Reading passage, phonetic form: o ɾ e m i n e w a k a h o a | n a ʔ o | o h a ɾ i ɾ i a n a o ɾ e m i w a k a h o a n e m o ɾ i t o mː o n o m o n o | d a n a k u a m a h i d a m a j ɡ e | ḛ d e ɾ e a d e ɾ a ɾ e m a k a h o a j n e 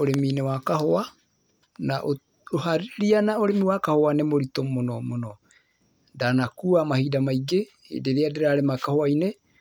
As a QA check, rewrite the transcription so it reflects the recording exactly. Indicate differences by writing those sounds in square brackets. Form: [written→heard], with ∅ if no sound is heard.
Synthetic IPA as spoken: o ɾ e m i n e w a k a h o a | n a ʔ o | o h a ɾ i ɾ i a n a o ɾ e m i w a k a h o a n e m o ɾ i t o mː o n o m o n o | d a n a k u a m a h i d a m a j ɡ e | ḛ d e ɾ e a d e ɾ a ɾ e m a k a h o a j n e